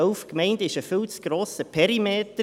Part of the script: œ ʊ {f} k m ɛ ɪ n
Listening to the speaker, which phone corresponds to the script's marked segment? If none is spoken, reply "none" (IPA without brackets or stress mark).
f